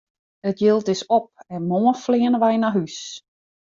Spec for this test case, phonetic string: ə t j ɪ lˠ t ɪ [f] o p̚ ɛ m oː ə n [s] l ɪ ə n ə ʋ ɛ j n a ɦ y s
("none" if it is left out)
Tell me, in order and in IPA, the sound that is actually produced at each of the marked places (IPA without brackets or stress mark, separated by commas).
s, f